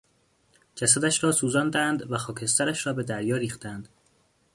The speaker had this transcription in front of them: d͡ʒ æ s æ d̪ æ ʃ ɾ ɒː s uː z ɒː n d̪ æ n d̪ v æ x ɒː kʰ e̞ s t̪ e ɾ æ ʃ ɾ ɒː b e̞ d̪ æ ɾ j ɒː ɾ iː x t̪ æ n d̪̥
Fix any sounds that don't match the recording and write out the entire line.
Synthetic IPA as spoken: d͡ʒ æ s æ d̪ æ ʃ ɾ ɒː s uː z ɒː n d̪ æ n d̪ v æ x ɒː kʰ e̞ s t̪ æ ɾ æ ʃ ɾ ɒː b e̞ d̪ æ ɾ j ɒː ɾ iː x t̪ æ n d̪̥